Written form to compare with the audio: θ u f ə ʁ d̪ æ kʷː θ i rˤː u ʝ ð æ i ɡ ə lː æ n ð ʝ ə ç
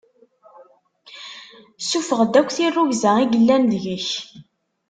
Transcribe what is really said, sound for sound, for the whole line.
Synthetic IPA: s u f ə ʁ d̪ æ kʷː θ i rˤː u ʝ z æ i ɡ ə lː æ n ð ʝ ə ç